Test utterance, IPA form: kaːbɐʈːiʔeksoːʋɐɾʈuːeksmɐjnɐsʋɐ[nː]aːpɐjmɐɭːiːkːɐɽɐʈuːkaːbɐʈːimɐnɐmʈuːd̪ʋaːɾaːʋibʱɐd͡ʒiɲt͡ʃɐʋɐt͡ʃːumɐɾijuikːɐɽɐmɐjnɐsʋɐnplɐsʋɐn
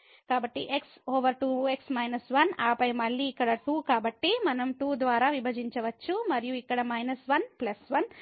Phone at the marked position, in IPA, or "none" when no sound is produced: n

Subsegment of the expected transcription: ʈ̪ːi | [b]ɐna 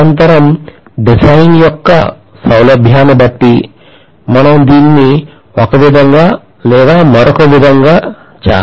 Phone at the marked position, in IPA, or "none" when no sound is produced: m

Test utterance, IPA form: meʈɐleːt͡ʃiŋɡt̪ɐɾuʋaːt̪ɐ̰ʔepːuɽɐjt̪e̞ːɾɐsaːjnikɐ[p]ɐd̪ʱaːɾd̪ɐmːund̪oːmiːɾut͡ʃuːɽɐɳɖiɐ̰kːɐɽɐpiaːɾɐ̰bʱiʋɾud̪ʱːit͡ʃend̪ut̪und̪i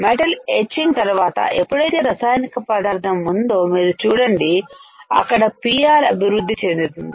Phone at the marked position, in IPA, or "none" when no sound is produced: p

